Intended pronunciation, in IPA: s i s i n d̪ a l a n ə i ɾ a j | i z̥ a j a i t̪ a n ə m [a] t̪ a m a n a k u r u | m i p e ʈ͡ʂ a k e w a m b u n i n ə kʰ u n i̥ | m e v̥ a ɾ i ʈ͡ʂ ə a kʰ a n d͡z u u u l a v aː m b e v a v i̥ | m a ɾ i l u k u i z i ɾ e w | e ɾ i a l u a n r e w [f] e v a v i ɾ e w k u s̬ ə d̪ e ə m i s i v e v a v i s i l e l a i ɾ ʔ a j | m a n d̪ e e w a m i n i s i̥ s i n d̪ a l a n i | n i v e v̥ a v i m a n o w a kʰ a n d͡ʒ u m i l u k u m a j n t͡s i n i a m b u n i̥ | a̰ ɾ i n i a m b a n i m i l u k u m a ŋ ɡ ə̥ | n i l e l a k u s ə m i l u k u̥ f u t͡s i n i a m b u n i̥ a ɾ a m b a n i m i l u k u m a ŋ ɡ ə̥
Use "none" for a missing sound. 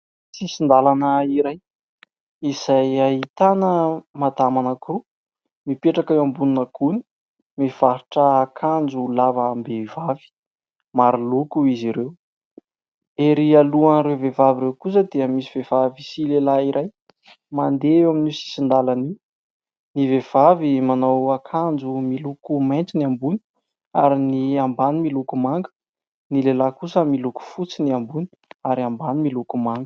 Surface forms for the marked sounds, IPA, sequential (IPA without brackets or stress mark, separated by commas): a, v